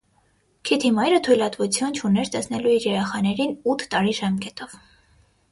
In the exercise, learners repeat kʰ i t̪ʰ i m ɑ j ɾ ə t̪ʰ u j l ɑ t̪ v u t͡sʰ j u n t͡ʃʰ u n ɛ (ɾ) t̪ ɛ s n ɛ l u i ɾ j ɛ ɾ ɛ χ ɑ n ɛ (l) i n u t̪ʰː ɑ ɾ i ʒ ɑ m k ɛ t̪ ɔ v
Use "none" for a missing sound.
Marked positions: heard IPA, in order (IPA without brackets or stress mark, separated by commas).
ɾ, ɾ